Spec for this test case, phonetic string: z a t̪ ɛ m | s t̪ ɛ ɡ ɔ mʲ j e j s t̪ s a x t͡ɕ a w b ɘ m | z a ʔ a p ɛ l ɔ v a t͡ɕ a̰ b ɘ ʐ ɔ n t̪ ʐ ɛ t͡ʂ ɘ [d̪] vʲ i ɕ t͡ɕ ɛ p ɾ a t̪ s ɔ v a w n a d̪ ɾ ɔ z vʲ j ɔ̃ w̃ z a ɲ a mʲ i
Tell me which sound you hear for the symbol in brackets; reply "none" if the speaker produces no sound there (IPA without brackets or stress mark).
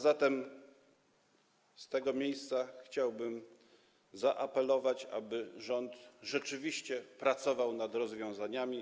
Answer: none